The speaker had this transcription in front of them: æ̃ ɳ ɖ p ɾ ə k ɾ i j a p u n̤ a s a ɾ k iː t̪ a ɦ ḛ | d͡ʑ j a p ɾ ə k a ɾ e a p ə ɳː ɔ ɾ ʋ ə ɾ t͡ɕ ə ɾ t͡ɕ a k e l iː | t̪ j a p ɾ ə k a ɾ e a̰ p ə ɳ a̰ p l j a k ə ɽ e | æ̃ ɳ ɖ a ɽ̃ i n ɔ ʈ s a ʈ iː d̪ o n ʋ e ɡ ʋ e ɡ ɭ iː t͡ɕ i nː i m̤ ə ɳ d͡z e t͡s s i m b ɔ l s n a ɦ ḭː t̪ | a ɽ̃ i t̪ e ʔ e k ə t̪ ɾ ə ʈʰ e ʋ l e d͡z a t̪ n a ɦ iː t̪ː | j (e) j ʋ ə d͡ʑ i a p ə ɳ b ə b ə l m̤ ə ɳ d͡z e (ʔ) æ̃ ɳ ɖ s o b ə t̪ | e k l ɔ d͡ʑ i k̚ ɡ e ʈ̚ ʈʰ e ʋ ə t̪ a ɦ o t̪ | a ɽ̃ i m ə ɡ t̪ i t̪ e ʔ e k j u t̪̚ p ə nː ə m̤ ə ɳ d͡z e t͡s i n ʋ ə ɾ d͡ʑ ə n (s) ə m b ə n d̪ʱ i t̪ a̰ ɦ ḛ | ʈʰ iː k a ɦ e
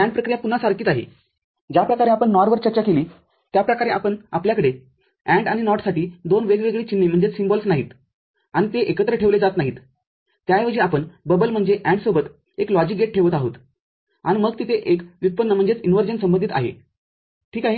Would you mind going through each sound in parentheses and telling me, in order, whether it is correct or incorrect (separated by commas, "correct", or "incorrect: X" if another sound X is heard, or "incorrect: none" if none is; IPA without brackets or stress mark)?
incorrect: a, correct, correct